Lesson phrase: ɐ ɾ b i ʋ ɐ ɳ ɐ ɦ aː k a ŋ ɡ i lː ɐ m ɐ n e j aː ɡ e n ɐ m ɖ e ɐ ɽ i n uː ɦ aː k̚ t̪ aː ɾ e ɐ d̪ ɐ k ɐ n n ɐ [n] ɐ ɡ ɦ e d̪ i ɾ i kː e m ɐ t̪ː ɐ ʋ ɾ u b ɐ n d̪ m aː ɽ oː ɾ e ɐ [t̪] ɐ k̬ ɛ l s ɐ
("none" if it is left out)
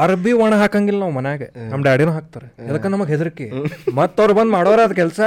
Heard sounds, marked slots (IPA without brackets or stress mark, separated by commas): m, d̪